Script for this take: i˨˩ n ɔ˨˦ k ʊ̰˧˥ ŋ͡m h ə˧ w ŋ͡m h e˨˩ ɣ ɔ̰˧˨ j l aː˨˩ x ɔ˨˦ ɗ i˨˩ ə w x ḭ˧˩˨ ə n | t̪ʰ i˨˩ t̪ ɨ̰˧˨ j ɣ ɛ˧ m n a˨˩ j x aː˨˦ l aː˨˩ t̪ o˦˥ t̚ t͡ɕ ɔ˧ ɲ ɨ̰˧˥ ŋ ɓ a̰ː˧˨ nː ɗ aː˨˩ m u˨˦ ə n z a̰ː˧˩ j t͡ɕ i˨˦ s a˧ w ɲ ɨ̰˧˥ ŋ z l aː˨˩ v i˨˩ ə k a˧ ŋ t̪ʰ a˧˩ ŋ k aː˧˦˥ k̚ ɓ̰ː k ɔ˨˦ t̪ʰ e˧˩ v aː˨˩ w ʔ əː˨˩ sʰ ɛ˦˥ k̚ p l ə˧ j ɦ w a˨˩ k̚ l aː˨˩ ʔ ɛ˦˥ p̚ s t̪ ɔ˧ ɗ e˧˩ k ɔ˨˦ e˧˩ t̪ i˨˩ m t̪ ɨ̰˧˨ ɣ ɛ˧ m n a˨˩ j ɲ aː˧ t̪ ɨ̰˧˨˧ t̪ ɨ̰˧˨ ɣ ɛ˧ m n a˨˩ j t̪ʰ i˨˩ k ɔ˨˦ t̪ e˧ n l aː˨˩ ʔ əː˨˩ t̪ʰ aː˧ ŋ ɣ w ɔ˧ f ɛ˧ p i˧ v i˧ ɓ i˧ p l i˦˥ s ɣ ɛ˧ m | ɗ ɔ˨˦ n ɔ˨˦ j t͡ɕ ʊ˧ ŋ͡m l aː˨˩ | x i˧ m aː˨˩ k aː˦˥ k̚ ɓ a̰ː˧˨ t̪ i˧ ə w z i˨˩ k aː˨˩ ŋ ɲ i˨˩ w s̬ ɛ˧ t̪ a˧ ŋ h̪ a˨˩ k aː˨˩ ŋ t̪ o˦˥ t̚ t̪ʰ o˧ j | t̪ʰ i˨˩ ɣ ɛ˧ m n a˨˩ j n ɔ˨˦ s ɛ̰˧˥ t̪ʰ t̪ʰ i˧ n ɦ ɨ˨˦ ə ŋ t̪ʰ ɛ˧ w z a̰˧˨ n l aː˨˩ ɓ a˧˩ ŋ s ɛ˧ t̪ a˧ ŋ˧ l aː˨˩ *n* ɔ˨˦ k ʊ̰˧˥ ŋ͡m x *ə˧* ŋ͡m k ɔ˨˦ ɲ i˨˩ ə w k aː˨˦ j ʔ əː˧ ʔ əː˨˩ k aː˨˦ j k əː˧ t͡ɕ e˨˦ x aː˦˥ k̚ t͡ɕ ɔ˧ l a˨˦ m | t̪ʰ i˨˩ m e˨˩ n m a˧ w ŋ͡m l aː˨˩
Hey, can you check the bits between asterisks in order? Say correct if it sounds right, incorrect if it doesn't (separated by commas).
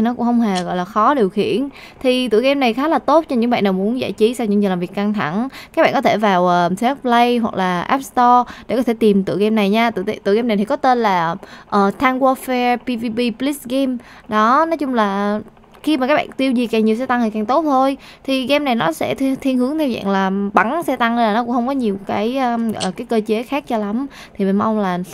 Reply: correct, correct